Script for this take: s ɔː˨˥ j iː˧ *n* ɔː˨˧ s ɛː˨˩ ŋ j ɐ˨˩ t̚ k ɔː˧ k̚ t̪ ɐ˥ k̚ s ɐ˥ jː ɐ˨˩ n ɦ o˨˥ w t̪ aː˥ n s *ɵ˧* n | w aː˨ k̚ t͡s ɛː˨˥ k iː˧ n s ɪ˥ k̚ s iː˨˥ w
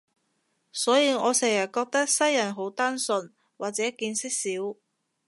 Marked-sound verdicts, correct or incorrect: incorrect: ŋ, correct

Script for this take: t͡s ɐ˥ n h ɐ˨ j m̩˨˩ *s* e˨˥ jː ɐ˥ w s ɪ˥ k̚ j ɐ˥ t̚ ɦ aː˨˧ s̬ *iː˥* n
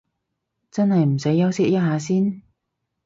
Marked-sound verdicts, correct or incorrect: correct, correct

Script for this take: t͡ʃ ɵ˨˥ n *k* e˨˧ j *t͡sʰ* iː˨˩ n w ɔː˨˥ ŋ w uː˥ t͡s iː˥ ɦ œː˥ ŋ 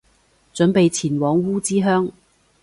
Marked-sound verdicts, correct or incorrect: incorrect: p, correct

